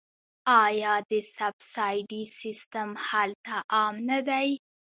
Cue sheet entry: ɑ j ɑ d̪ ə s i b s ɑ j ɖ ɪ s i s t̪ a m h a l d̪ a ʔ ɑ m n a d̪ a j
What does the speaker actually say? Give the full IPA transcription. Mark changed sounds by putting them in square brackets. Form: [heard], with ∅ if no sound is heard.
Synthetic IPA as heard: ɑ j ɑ d̪ ə s [a] b s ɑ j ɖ [i] s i s t̪ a m h a l [t̪] a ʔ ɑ m n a d̪ a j

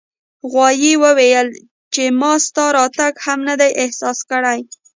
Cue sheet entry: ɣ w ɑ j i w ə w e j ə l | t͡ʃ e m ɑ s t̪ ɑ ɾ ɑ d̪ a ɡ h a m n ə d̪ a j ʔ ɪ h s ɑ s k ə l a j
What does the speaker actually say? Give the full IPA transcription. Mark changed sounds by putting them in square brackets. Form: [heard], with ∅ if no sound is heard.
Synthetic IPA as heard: ɣ w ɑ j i w ə w e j ə l | t͡ʃ e m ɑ s t̪ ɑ ɾ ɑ [t̪] a ɡ h a m n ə d̪ a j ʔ ɪ h s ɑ s k ə [ɽ] a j

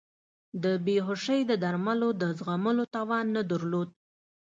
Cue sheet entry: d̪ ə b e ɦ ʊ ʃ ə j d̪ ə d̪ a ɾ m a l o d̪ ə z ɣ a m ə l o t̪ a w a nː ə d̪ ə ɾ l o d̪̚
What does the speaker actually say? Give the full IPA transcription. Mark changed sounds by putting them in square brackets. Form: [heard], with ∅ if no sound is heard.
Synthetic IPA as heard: d̪ ə b e ɦ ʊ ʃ ə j d̪ ə d̪ a ɾ m a l o d̪ ə z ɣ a m ə l o t̪ [ɑ] w [ɑ] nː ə d̪ ə ɾ l o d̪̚

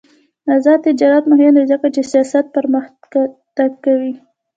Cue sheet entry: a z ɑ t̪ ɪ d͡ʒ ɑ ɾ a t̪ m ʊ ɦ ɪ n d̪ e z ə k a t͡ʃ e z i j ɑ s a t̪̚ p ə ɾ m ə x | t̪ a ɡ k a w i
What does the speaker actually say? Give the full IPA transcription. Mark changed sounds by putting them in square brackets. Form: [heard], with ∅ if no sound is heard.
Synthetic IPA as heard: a z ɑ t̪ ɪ d͡ʒ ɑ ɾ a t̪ m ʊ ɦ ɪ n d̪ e z ə k a t͡ʃ e [s] i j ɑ s a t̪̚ p ə ɾ m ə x | t̪ a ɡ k a w i

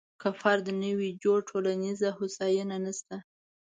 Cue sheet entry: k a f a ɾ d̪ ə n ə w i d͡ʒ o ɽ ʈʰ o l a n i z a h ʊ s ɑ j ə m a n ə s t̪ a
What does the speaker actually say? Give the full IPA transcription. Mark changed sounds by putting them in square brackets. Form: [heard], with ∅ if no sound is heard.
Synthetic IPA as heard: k a f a ɾ d̪ ə n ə w i d͡ʒ o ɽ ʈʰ o l a n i z a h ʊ s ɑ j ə [n] a n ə s t̪ a

